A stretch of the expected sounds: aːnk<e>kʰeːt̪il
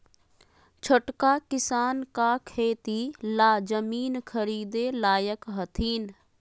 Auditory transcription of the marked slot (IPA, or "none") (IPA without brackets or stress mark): a